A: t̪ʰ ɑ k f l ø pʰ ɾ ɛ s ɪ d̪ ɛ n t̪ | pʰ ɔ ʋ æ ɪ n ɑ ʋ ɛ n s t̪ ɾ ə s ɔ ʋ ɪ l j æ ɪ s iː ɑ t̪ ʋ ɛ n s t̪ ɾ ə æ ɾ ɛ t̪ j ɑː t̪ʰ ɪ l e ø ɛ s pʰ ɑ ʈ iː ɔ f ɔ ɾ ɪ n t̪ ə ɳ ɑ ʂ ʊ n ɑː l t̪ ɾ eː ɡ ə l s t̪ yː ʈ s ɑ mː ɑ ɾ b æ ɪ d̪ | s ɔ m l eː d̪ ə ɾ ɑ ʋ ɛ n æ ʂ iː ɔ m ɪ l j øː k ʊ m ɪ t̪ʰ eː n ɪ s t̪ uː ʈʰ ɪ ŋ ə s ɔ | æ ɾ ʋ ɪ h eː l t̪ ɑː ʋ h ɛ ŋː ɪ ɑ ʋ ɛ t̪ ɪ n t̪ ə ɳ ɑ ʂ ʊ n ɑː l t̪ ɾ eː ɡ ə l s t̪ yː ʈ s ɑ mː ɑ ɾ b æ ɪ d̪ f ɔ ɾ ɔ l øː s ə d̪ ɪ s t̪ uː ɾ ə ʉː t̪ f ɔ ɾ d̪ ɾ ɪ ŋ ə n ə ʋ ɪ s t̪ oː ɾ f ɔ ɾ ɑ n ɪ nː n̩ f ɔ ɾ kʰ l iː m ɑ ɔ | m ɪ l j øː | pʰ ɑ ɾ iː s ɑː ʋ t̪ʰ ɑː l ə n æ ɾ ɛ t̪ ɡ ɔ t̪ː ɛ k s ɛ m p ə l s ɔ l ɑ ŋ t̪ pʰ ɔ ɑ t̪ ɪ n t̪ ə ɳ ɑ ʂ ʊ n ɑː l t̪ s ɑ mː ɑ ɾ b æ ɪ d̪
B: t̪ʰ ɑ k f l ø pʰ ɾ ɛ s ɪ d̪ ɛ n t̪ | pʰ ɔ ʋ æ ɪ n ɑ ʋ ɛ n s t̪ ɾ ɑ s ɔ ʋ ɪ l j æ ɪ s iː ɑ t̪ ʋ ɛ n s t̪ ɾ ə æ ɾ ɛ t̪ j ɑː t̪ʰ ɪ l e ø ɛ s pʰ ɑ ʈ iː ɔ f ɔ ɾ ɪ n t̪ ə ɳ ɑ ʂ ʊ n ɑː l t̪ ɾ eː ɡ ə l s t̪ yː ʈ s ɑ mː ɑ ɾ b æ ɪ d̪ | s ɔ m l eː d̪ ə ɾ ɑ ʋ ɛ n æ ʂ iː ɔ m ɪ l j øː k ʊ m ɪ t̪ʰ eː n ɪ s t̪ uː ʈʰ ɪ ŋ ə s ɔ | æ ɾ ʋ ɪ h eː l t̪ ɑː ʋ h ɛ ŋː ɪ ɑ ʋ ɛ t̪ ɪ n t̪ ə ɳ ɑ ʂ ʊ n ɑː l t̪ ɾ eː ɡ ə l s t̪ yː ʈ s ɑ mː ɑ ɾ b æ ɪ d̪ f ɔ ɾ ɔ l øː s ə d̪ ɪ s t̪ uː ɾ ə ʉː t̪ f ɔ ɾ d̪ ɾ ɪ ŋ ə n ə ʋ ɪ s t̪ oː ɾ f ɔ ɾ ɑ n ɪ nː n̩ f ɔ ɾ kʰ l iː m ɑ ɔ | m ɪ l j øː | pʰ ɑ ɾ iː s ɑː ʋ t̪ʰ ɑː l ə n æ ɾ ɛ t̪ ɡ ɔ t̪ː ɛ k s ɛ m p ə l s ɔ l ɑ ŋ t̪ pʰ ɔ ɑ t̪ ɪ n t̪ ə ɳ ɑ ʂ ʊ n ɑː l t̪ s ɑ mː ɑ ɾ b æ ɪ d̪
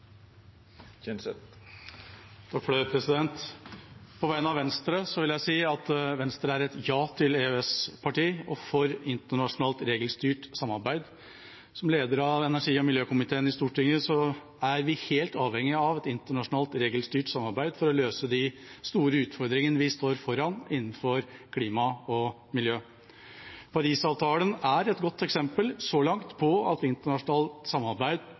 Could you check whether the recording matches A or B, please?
A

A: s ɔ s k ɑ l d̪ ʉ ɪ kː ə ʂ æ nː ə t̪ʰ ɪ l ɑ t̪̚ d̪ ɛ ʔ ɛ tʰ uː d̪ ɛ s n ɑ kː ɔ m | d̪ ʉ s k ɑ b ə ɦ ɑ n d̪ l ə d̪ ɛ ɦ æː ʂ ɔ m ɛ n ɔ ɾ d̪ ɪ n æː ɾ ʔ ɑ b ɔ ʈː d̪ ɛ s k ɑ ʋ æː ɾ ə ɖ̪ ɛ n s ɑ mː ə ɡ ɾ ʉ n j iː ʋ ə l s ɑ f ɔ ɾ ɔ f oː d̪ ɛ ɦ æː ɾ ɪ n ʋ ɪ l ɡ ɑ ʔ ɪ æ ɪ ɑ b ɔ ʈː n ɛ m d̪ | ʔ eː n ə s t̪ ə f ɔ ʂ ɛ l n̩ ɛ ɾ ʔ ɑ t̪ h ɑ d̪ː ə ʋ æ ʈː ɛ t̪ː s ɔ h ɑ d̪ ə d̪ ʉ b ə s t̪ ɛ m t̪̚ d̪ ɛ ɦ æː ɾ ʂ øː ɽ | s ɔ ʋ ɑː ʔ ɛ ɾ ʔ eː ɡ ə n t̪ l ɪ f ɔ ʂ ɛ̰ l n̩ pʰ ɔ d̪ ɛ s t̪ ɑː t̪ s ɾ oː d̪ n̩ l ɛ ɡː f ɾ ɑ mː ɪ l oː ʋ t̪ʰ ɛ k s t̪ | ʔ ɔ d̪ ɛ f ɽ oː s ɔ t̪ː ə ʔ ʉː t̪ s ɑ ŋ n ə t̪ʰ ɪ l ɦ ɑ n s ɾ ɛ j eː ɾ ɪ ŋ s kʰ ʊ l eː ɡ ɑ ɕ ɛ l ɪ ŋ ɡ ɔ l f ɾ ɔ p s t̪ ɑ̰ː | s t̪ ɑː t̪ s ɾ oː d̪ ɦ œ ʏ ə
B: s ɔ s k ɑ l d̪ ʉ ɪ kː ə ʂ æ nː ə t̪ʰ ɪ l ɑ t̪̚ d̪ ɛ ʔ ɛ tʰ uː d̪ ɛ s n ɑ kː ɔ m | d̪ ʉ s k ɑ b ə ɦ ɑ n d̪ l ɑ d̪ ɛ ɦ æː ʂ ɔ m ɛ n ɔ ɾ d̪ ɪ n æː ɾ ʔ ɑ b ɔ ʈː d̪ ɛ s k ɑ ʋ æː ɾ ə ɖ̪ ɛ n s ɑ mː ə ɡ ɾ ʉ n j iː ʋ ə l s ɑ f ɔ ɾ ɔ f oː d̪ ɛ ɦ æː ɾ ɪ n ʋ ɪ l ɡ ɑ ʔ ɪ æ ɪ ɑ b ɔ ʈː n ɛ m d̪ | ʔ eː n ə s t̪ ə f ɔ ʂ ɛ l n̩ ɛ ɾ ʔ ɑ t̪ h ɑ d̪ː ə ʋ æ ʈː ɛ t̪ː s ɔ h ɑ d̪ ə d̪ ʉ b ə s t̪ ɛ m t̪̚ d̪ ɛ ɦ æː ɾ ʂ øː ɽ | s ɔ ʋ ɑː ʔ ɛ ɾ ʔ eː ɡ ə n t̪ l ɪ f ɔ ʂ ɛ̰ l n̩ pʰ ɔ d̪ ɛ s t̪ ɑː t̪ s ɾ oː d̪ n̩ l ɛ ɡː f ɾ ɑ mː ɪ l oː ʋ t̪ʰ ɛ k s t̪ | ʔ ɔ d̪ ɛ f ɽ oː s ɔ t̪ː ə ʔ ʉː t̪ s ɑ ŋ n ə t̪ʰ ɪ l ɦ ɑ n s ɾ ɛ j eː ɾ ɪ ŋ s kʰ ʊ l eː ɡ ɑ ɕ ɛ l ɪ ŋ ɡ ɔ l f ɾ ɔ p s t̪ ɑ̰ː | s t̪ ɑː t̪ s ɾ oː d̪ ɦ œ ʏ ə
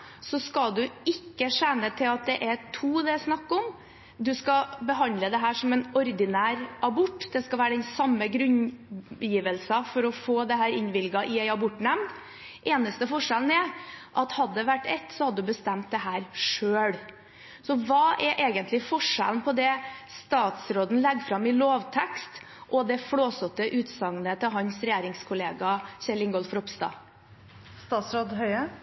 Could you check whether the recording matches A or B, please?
A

